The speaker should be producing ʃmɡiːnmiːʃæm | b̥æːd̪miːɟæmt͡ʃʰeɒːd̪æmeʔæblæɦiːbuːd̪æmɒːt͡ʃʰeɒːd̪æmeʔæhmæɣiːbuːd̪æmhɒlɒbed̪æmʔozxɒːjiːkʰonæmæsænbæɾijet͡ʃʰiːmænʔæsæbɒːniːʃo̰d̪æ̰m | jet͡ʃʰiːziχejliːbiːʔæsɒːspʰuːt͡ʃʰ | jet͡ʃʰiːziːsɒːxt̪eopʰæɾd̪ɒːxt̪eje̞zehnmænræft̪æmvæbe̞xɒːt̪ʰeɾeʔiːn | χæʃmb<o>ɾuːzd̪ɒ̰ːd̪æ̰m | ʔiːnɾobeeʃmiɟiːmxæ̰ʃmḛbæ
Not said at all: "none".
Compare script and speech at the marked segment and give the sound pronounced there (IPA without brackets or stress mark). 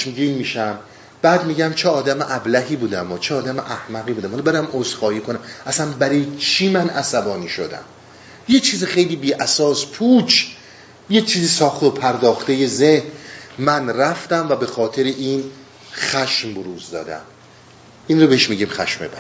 o